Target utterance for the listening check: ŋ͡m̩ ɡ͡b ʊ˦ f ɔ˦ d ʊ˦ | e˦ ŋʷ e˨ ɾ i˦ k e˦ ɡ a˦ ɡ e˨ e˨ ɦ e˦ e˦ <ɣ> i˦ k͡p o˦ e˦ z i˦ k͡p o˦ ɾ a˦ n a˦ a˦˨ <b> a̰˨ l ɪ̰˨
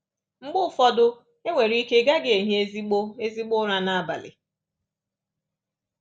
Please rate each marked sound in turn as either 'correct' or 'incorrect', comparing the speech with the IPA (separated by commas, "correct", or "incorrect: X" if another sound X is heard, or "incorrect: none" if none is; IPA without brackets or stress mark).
incorrect: z, correct